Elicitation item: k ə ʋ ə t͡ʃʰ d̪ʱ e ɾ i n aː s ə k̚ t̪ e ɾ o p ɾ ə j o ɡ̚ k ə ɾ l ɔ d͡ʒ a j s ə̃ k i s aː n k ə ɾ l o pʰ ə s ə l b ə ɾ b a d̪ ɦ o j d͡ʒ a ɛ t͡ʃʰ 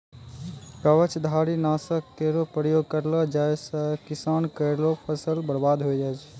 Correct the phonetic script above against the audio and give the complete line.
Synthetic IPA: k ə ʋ ə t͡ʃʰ d̪ʱ a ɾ i n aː s ə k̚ t̪ e ɾ o p ɾ ə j o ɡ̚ k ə ɾ l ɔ d͡ʒ a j s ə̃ k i s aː n k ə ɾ l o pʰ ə s ə l b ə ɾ b a d̪ ɦ o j d͡ʒ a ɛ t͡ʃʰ